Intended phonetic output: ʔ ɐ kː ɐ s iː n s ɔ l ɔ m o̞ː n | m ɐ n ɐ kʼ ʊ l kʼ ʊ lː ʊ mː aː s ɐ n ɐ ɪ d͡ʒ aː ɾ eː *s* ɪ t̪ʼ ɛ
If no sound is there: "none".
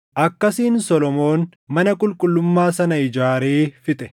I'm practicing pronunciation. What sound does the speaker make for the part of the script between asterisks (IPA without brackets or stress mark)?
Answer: f